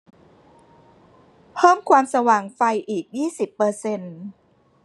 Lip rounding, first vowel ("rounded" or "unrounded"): unrounded